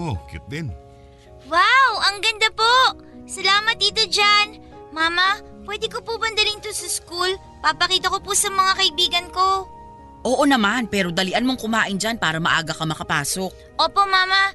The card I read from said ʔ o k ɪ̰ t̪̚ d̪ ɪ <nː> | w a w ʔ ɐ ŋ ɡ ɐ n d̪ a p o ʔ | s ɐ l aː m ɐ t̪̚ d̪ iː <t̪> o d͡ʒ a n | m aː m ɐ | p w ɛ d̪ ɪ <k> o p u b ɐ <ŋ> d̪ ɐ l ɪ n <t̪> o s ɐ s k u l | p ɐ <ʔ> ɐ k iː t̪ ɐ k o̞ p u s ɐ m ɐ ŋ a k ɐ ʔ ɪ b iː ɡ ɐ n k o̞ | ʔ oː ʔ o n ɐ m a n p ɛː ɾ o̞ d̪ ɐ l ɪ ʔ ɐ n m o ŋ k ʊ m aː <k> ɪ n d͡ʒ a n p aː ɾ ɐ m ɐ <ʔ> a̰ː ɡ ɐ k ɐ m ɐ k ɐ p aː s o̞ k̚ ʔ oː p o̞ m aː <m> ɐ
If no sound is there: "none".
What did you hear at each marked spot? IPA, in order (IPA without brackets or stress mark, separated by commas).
n, t̪, k, n, t̪, p, ʔ, ʔ, m